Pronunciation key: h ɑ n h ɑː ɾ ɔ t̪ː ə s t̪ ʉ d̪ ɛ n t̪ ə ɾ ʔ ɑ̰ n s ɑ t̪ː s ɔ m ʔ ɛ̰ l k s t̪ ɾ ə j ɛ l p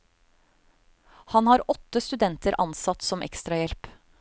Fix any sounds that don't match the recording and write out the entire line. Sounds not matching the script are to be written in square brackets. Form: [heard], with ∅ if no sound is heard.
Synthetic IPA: h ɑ n h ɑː ɾ ɔ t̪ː ə s t̪ ʉ d̪ ɛ n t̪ ə ɾ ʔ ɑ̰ n s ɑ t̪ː s ɔ m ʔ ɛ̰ [∅] k s t̪ ɾ [ɑ] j ɛ l p